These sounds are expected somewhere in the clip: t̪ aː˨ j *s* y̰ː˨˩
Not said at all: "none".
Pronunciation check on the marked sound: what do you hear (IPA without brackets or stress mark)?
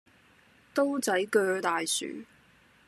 s